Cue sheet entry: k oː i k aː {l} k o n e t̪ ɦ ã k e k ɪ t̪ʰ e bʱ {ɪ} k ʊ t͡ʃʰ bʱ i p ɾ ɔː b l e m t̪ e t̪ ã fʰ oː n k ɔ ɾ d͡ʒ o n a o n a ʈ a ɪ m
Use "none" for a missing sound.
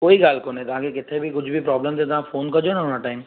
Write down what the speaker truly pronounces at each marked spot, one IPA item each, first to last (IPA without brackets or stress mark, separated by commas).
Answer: l, i